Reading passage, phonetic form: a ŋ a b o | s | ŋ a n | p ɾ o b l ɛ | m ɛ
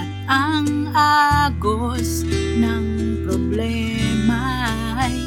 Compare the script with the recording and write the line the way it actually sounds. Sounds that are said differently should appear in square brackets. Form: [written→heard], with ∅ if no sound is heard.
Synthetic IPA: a ŋ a [b→ɡ] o | s | [ŋ→n] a [n→ŋ] | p ɾ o b l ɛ | m [ɛ→a]